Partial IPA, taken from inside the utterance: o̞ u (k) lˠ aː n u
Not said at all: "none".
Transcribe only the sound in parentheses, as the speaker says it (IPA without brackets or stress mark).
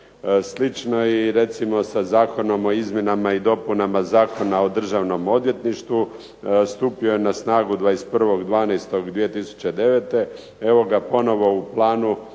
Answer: p